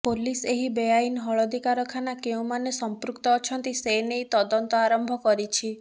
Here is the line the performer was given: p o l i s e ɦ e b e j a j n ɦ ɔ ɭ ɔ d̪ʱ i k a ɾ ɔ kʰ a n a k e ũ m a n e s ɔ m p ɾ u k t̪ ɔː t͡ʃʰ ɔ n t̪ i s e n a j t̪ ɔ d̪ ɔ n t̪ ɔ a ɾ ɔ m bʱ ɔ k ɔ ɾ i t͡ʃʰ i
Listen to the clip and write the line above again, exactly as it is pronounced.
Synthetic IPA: p o l i s e ɦ i b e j a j n ɦ ɔ ɭ ɔ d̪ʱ i k a ɾ ɔ kʰ a n a k e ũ m a n e s ɔ m p ɾ u k t̪ ɔː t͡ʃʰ ɔ n t̪ i s e n e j t̪ ɔ d̪ ɔ n t̪ ɔ a ɾ ɔ m bʱ ɔ k ɔ ɾ i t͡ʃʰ i